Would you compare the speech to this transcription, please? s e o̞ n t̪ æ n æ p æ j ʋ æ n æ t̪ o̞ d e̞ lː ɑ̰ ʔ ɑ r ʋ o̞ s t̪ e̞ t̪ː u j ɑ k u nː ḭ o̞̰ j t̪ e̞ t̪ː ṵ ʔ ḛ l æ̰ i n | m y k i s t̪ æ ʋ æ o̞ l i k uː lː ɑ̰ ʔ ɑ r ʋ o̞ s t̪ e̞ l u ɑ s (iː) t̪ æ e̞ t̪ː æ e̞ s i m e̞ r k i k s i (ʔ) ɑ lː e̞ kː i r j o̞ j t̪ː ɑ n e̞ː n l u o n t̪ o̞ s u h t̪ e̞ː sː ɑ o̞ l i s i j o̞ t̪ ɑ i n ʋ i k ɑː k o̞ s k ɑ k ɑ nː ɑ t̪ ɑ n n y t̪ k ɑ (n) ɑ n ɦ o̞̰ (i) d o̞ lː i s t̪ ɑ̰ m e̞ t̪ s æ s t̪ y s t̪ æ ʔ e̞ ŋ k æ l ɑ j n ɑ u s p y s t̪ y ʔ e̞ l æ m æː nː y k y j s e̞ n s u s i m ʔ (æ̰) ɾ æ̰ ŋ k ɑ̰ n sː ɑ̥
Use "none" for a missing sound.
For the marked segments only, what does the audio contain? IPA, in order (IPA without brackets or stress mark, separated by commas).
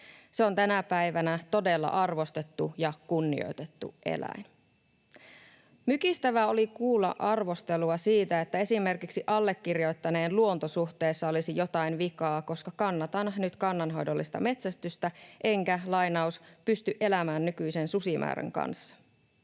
iː, ʔ, nː, j, æ̰ː